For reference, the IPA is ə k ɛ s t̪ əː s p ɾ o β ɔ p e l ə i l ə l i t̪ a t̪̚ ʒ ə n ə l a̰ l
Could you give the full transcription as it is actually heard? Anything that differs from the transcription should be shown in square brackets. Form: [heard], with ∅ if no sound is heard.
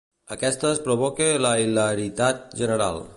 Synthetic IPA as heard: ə k ɛ s t̪ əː s p ɾ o β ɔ [k] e l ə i l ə [ɾ] i t̪ a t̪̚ ʒ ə n ə [ɾ] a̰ l